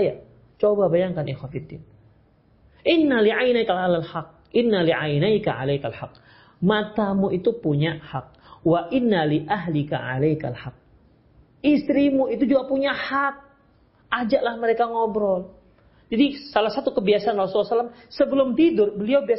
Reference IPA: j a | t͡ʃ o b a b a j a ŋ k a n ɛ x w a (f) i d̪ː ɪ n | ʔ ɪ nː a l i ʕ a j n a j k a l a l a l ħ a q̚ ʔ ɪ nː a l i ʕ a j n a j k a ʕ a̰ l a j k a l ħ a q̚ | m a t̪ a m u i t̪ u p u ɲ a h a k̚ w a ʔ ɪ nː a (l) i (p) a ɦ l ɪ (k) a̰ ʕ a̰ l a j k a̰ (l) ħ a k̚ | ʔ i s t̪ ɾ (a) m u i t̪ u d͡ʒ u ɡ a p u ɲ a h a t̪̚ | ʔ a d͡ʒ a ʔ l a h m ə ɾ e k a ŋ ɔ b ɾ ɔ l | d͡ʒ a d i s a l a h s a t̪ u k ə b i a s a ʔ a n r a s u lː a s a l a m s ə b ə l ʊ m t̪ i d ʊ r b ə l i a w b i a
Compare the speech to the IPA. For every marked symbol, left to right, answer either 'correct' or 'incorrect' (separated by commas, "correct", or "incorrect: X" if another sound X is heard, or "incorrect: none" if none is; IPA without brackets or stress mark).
correct, correct, incorrect: ʔ, correct, correct, incorrect: i